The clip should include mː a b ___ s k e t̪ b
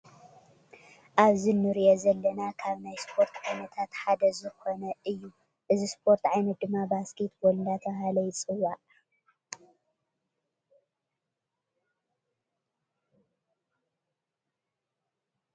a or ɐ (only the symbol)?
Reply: a